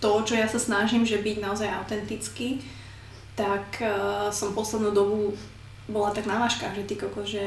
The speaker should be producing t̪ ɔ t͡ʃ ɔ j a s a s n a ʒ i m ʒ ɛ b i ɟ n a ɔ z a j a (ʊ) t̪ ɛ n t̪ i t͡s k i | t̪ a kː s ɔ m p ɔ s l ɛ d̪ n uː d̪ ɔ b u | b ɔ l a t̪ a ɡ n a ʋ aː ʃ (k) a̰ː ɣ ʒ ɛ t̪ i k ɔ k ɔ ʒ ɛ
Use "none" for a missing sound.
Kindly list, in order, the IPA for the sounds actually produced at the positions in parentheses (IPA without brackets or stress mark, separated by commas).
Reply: ʊ, k